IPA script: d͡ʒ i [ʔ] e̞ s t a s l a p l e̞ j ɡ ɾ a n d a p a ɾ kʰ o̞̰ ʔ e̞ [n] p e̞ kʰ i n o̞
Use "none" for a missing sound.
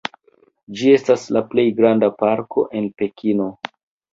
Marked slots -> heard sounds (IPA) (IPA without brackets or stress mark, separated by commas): none, n